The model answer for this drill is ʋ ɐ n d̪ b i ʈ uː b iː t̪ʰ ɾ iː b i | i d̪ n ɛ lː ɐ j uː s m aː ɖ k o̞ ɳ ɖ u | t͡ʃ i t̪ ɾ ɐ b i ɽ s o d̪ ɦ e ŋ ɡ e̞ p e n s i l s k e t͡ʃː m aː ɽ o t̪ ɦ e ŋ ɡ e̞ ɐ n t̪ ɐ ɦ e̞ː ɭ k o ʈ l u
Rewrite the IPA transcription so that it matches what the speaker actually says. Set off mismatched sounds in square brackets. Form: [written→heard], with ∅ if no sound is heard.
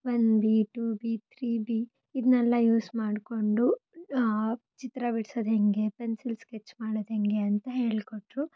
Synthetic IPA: ʋ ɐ n d̪ b i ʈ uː b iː t̪ʰ ɾ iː b i | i d̪ n ɛ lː ɐ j uː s m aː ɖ k o̞ ɳ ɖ u | t͡ʃ i t̪ ɾ ɐ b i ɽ s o d̪ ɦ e ŋ ɡ e̞ p e n s i l s k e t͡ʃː m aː ɽ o [t̪→d̪] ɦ e ŋ ɡ e̞ ɐ n t̪ ɐ ɦ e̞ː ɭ k o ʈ [l→ɾ] u